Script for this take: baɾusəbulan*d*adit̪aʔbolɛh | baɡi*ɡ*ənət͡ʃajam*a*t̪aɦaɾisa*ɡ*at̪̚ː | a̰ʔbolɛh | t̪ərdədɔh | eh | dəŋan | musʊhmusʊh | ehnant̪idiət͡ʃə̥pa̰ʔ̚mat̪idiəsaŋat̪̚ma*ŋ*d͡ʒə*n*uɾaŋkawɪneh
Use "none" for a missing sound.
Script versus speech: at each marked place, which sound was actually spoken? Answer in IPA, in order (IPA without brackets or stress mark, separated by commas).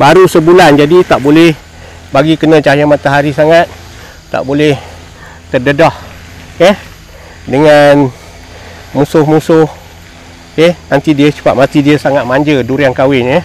d͡ʒ, k, a, ŋ, ɲ, d